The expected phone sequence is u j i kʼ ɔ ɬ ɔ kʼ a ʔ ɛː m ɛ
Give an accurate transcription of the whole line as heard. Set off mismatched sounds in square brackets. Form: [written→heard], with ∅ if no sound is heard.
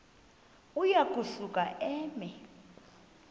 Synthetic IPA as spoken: u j [i→a] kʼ [ɔ→u] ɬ [ɔ→u] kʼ a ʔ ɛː m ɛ